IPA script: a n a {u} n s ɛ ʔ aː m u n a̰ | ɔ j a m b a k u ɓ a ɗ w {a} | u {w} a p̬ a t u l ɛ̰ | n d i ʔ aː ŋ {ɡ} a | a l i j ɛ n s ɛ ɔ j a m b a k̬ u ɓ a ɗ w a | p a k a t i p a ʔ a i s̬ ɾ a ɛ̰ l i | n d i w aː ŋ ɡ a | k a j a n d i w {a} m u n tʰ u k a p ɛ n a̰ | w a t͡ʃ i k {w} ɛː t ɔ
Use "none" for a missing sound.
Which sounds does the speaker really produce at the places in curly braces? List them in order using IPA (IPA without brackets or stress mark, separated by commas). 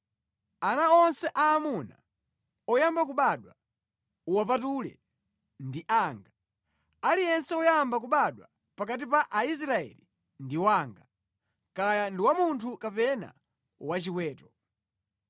ɔ, a, w, ɡ, a, w